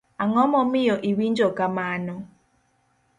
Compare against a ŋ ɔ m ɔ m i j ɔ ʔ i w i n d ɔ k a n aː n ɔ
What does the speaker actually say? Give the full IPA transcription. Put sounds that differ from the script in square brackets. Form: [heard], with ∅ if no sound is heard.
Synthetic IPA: a ŋ ɔ m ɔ m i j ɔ ʔ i w i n [d͡ʒ] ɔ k a [m] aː n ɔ